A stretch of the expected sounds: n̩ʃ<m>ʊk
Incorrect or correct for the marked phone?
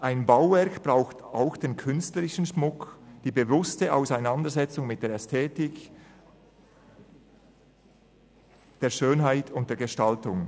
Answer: correct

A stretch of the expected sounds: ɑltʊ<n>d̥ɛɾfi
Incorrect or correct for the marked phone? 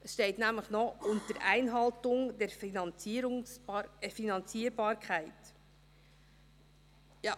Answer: incorrect: ŋ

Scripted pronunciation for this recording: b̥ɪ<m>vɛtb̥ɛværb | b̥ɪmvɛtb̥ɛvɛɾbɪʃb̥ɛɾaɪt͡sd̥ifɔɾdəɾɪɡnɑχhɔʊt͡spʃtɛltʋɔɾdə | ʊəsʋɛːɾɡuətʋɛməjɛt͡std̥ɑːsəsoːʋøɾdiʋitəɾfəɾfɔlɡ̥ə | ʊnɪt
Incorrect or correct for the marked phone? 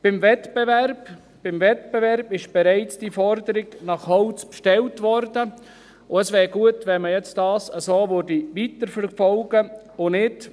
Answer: correct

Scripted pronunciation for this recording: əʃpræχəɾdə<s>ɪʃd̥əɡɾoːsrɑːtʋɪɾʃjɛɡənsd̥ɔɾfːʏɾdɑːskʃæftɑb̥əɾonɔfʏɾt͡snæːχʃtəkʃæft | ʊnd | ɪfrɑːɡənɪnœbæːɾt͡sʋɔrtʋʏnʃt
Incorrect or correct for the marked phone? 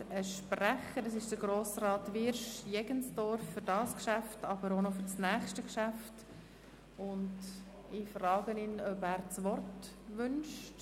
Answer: correct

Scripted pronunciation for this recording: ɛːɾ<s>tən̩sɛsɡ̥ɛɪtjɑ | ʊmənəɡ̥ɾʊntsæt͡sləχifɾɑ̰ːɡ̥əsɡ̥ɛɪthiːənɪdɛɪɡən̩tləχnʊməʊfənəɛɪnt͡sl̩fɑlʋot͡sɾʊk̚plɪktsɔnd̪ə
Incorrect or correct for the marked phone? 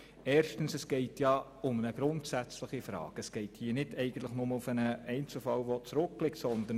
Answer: incorrect: ʃ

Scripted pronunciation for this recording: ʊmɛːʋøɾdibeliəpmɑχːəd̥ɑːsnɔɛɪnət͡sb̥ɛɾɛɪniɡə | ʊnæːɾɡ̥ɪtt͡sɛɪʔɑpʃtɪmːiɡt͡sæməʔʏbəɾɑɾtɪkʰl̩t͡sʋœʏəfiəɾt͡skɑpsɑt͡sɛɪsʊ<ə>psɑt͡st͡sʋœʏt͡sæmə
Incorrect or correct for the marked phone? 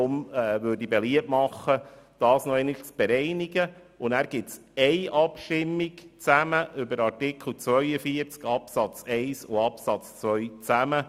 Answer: incorrect: ɑ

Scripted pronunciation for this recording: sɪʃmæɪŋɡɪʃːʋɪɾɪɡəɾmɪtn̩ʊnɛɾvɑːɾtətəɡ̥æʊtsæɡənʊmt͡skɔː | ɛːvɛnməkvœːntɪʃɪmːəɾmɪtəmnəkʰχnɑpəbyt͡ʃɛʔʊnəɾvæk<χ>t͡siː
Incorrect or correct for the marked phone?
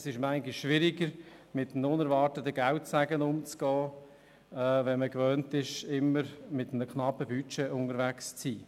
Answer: incorrect: s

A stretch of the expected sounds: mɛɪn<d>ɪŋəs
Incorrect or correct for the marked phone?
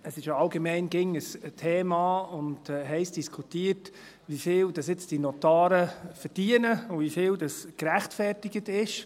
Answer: incorrect: ɡ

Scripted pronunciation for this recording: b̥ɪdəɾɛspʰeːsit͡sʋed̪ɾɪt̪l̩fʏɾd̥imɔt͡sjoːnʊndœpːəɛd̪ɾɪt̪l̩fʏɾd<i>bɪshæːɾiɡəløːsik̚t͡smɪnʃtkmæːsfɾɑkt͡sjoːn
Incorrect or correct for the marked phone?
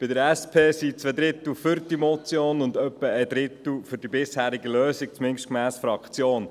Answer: correct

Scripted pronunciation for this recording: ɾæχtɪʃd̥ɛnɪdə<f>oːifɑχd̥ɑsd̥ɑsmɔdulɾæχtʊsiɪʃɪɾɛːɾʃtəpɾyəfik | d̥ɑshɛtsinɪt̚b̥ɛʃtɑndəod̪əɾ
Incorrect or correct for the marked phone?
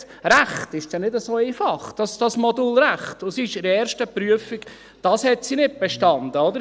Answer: incorrect: s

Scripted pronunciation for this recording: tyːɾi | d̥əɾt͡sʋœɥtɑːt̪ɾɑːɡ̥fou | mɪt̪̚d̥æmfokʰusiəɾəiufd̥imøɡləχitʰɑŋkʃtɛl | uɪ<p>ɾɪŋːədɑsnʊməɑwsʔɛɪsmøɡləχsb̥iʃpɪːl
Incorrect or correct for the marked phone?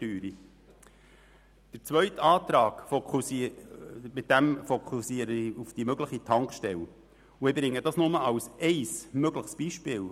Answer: incorrect: b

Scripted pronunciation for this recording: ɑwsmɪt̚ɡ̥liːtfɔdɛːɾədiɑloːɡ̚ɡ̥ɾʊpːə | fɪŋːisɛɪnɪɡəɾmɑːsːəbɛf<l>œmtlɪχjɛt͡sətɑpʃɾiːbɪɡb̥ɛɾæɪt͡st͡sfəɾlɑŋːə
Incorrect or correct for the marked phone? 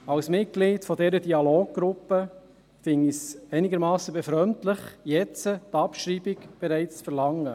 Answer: incorrect: ɾ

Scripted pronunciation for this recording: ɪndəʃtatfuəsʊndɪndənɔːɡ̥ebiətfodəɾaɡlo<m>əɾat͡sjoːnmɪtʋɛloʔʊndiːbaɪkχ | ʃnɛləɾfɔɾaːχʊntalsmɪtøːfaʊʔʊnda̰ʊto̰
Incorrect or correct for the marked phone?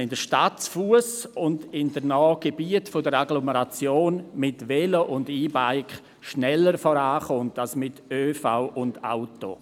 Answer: correct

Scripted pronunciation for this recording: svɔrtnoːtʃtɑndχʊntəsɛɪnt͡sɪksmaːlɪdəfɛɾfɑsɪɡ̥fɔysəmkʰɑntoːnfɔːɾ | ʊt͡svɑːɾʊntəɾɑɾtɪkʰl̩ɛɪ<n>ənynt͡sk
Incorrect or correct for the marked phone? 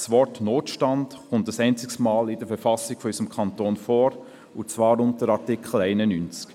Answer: correct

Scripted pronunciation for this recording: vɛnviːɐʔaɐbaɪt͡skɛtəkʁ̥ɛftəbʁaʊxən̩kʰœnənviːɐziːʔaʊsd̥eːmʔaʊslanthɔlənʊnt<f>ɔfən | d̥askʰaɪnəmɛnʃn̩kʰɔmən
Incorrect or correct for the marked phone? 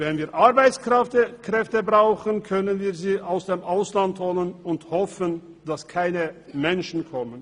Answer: incorrect: h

